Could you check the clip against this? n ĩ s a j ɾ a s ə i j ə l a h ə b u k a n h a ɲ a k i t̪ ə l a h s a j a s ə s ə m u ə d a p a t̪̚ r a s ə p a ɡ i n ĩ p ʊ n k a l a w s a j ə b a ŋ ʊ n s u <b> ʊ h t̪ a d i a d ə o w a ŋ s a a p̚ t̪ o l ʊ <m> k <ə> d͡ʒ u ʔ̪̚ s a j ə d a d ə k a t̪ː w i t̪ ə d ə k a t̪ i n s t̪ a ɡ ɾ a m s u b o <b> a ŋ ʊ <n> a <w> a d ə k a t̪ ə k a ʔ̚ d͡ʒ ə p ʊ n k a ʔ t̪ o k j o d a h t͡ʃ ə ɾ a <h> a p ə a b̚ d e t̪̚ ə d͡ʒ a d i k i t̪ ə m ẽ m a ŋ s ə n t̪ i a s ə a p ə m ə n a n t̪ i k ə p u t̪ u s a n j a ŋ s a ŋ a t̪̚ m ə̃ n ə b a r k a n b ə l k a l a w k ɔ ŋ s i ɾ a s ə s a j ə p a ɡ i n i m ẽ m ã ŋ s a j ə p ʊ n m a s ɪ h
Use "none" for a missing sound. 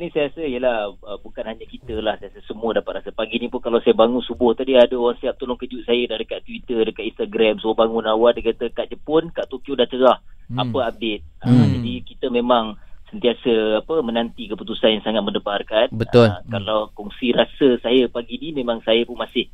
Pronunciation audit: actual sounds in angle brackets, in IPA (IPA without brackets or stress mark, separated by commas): b, ŋ, ə, b, n, w, h